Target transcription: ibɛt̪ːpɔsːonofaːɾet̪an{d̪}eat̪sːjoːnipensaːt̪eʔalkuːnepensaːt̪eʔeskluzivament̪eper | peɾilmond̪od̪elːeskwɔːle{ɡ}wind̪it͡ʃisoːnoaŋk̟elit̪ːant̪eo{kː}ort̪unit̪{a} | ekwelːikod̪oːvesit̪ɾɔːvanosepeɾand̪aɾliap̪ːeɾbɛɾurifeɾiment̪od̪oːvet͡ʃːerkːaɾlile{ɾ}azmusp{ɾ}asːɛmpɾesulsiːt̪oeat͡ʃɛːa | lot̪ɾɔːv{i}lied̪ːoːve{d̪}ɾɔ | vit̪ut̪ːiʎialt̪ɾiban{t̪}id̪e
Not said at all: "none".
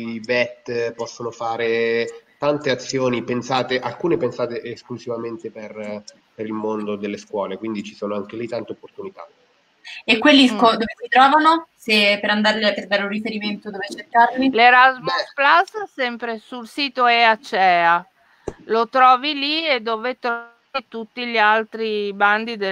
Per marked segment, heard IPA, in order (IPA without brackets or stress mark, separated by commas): t̪, k, pː, a, ɾ, l, i, t̪, d̪